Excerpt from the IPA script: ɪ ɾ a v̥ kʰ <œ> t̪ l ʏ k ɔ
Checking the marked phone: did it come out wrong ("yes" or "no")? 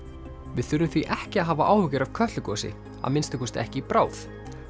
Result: no